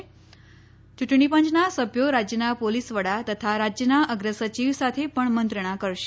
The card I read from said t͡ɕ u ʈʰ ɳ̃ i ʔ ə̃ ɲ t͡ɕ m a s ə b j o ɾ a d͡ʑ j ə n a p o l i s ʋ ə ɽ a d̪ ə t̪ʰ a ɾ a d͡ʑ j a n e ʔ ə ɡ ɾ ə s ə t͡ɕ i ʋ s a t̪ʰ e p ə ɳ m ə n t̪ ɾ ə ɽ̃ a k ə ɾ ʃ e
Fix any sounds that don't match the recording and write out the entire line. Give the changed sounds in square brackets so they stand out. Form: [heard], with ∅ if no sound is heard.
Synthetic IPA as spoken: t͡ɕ u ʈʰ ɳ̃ i [p] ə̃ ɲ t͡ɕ [n] a s ə b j o ɾ a d͡ʑ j ə n a p o l i s ʋ ə ɽ a [t̪] ə t̪ʰ a ɾ a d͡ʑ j [ə] n [a] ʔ ə ɡ ɾ ə s ə t͡ɕ i ʋ s a t̪ʰ e p ə ɳ m ə n t̪ ɾ ə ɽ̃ a k ə ɾ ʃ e